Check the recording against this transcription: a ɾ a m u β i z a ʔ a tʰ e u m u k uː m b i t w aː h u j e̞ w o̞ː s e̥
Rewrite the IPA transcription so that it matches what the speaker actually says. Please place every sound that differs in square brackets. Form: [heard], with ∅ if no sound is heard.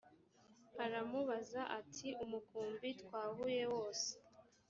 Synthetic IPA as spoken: a ɾ a m u β [a] z a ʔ a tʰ [i] u m u k uː m b i t w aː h u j e̞ w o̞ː s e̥

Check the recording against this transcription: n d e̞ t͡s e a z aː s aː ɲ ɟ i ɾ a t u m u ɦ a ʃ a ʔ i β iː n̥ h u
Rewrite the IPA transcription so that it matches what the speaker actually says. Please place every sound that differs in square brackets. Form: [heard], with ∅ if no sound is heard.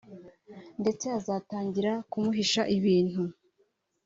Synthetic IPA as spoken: n d e̞ t͡s e a z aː [t] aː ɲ ɟ i ɾ a [k] u m u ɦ [i] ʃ a ʔ i β iː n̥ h u

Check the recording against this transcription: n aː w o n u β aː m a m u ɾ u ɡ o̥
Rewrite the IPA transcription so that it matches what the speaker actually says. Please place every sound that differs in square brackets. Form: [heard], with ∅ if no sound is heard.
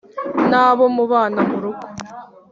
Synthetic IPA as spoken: n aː [β] o [m] u β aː [n] a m u ɾ u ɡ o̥

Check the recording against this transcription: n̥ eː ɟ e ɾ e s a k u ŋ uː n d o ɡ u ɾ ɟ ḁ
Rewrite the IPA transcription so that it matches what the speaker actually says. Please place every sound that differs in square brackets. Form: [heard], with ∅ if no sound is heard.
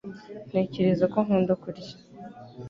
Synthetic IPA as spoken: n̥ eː [c] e ɾ e [z] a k [o] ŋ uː n d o [k] u ɾ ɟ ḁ

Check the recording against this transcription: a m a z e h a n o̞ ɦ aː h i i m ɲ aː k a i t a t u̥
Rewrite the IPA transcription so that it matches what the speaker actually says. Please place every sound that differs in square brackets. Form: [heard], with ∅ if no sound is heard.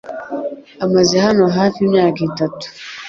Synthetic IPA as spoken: a m a z e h a n o̞ ɦ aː [f] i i m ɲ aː k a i t a t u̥

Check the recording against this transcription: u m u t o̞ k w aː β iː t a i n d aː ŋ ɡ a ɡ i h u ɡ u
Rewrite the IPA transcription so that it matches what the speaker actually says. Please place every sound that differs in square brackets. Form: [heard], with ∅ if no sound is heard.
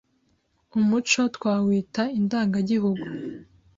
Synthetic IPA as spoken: u m u [t͡ʃ] o̞ [t] w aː [w] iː t a i n d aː ŋ ɡ a [ɟ] i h u ɡ u

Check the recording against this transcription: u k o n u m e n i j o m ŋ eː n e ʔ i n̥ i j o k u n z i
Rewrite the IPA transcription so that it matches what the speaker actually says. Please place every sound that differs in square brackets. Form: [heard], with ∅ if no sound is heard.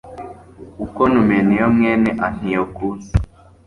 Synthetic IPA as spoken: u k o n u m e n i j o m ŋ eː n e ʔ [a] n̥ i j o k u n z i

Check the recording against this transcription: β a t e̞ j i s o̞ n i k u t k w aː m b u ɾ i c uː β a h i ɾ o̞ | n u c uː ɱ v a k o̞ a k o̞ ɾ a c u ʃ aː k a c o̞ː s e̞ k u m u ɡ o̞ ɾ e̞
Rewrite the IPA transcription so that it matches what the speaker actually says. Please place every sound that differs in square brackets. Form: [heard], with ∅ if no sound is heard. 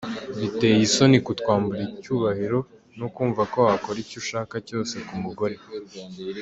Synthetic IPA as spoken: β [i] t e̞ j i s o̞ n i k u t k w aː m b u ɾ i c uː β a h i ɾ o̞ | n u [k] uː ɱ v a k o̞ a k o̞ ɾ [i] c u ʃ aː k a c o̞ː s e̞ k u m u ɡ o̞ ɾ e̞

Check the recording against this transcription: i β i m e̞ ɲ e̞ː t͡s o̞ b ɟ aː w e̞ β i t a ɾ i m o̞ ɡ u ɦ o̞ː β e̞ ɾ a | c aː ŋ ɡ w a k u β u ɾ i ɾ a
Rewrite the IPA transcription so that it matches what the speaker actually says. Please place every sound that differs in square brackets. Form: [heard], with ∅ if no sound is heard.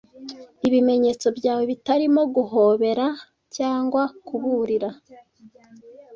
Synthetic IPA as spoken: i β i m e̞ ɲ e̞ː t͡s o̞ b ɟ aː w e̞ β i t a ɾ i m o̞ ɡ u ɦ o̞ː β e̞ ɾ a | c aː ŋ ɡ w a k u β u ɾ i ɾ a

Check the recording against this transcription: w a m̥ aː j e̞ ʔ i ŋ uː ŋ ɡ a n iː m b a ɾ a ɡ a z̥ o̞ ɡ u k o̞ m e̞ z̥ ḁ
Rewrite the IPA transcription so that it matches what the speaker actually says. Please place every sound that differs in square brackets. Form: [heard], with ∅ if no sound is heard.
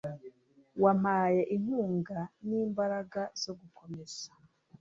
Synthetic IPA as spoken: w a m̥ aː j e̞ ʔ i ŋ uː ŋ ɡ a n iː m b a ɾ a ɡ a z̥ o̞ ɡ u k o̞ m e̞ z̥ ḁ

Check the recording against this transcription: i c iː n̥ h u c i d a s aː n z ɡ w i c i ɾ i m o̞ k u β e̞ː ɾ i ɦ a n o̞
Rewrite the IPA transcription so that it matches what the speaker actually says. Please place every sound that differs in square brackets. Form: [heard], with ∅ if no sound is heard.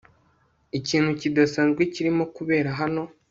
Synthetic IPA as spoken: i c iː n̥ h u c i d a s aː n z ɡ w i c i ɾ i m o̞ k u β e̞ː ɾ [a] ɦ a n o̞

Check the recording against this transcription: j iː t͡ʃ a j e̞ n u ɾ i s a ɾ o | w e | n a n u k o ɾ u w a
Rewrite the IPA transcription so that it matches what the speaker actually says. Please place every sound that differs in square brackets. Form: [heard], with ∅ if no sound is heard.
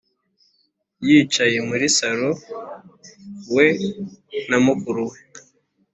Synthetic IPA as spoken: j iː t͡ʃ a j e̞ [m] u ɾ i s a ɾ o | w e | n a [m] u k [u] ɾ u w [e]

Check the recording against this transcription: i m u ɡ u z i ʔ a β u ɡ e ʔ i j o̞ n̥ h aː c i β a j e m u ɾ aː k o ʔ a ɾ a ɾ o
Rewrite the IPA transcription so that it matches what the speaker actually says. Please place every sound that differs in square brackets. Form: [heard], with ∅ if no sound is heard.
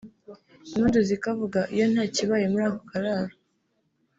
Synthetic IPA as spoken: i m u [d] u z i [k] a [v] u ɡ [a] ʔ i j o̞ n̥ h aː c i β a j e m u ɾ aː k o [k] a ɾ a ɾ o

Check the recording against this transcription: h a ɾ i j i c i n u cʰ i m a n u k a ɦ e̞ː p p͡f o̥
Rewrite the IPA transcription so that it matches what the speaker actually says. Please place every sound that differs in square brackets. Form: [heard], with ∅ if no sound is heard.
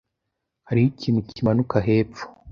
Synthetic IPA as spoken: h a ɾ i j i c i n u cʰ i m a n u k a ɦ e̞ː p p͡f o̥

